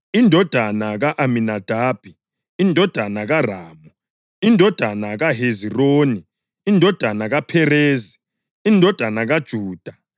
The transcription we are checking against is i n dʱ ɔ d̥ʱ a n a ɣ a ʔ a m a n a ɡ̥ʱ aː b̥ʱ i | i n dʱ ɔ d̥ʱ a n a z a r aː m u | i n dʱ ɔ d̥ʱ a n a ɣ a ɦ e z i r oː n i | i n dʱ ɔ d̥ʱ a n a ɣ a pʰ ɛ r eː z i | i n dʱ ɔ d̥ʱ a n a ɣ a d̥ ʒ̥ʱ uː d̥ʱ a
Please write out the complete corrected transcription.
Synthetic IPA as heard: i n dʱ ɔ d̥ʱ a n a ɣ a ʔ a m i n a d̥ʱ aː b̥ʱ i | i n dʱ ɔ d̥ʱ a n a ɣ a r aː m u | i n dʱ ɔ d̥ʱ a n a ɣ a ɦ e z i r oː n i | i n dʱ ɔ d̥ʱ a n a ɣ a pʰ ɛ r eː z i | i n dʱ ɔ d̥ʱ a n a ɣ a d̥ ʒ̥ʱ uː d̥ʱ a